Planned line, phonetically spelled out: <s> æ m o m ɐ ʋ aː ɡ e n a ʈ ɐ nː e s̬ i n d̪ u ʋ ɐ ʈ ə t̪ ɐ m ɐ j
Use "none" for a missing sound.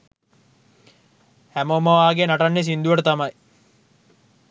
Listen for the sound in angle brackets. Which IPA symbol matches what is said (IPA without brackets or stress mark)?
h